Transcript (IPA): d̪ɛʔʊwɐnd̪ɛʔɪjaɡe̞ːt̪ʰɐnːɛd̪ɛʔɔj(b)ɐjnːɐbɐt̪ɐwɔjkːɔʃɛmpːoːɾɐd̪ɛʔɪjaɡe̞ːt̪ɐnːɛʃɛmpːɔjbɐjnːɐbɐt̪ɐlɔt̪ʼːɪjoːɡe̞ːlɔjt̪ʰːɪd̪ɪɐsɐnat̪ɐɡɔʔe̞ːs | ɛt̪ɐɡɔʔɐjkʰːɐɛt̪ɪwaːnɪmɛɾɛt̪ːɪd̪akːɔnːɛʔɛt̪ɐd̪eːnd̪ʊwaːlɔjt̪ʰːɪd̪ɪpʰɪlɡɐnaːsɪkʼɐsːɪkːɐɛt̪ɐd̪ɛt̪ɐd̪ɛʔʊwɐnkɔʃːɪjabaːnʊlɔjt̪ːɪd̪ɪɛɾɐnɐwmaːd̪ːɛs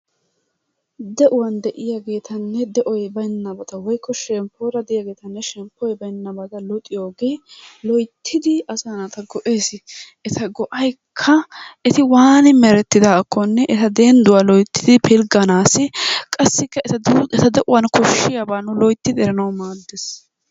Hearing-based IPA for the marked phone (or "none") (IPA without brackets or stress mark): b